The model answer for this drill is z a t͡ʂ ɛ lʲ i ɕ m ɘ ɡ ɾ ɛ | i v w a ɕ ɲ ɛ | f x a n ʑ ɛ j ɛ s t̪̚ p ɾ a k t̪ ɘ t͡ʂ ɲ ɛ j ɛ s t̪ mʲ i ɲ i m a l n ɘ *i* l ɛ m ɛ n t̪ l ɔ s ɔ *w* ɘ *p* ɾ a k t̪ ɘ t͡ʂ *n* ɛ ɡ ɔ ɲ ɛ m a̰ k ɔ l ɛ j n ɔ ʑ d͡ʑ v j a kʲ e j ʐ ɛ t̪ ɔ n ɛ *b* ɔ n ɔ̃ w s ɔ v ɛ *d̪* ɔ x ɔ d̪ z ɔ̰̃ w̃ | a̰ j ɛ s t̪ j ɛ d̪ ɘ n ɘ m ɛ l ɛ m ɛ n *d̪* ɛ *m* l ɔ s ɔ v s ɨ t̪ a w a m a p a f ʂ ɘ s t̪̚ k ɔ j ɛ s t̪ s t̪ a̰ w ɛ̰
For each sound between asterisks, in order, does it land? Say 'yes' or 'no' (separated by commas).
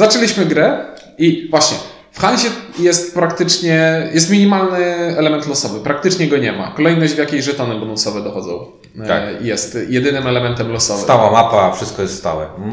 no, no, yes, no, yes, yes, no, yes